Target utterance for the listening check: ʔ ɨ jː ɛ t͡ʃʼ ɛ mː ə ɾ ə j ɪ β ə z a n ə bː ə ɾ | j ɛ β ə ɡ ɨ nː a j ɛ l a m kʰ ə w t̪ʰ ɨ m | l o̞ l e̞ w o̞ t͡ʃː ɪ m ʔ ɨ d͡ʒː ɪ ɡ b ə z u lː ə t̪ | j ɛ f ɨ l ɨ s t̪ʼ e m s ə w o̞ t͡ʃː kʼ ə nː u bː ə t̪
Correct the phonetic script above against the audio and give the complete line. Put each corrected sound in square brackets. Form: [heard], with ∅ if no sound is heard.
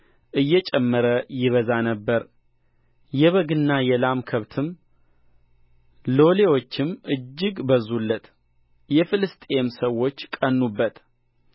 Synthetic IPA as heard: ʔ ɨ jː ɛ t͡ʃʼ ɛ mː ə ɾ ə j ɪ β ə z a n ə bː ə ɾ | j ɛ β ə ɡ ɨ nː a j ɛ l a m kʰ ə [β] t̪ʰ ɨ m | l o̞ l e̞ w o̞ t͡ʃː ɪ m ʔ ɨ d͡ʒː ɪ ɡ b ə z u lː ə t̪ | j ɛ f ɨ l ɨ s t̪ʼ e m s ə w o̞ t͡ʃː kʼ ə nː u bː ə t̪

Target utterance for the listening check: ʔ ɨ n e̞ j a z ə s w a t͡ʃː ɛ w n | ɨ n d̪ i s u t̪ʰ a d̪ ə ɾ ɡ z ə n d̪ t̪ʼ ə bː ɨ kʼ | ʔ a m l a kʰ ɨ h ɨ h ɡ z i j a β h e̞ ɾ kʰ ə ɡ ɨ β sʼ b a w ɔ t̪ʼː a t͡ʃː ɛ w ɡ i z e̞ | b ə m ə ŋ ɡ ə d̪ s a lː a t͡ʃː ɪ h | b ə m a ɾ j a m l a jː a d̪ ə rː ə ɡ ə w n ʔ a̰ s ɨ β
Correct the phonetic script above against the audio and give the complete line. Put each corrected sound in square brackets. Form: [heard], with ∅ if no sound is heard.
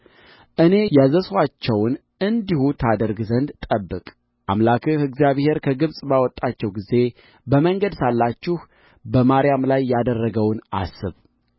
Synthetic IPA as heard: ʔ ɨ n e̞ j a z ə s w a t͡ʃː ɛ w n | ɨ n d̪ i [h] u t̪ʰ a d̪ ə ɾ ɡ z ə n d̪ t̪ʼ ə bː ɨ kʼ | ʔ a m l a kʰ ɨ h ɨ [∅] ɡ z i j a β h e̞ ɾ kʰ ə ɡ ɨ β sʼ b a w ɔ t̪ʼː a t͡ʃː ɛ w ɡ i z e̞ | b ə m ə ŋ ɡ ə d̪ s a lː a t͡ʃː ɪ h | b ə m a ɾ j a m l a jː a d̪ ə rː ə ɡ ə w n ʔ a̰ s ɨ β

